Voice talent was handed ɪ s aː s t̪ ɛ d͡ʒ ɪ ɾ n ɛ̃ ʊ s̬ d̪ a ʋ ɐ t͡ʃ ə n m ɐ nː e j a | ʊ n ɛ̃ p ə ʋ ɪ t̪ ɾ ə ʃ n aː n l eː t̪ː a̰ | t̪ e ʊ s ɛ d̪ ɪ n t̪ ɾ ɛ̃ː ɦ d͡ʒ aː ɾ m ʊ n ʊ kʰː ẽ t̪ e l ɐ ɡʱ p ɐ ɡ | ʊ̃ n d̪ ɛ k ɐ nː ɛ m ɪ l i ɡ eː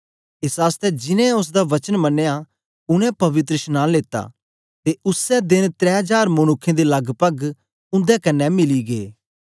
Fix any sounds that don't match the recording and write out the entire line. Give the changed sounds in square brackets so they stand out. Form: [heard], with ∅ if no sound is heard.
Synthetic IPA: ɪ s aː s t̪ ɛ d͡ʒ ɪ [∅] n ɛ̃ ʊ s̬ d̪ a ʋ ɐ t͡ʃ ə n m ɐ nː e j a | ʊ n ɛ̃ p [ɐ] ʋ ɪ t̪ ɾ ə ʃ n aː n l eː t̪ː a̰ | t̪ e ʊ s ɛ d̪ ɪ n t̪ ɾ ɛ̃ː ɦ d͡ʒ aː ɾ m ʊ n ʊ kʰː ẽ [d̪] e l ɐ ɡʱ p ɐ ɡ | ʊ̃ n d̪ ɛ k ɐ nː ɛ m ɪ l i ɡ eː